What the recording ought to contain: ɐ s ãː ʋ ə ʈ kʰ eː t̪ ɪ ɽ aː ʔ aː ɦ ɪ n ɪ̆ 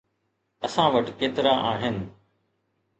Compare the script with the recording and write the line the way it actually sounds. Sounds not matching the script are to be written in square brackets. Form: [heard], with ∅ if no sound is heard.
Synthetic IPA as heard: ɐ s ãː ʋ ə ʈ [k] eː t̪ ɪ [ɾ] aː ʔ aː ɦ ɪ n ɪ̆